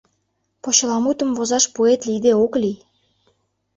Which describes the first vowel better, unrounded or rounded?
rounded